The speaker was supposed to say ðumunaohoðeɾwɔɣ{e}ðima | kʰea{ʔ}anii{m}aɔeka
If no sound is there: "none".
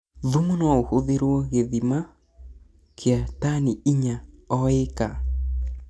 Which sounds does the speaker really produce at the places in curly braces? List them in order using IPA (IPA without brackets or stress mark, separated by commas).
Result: e, t, ɲ